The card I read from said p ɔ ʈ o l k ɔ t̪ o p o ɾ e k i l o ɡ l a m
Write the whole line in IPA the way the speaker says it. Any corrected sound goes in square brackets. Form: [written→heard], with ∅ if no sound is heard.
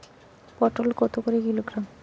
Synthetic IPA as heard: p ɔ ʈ o l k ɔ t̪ o [p→k] o ɾ e k i l o ɡ [l→ɾ] a m